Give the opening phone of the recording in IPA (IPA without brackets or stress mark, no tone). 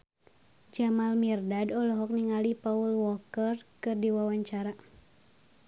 d͡ʒ